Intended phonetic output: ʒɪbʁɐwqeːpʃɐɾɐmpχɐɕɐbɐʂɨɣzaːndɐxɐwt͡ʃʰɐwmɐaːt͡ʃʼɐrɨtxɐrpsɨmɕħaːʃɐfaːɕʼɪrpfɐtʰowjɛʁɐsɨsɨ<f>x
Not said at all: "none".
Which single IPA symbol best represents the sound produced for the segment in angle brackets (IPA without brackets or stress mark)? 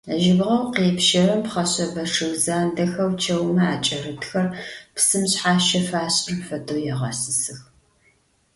none